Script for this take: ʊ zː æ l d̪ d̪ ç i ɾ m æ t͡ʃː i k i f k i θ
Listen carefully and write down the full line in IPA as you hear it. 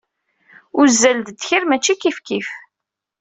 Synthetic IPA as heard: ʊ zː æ l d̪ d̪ ç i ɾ m æ t͡ʃː i k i f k i f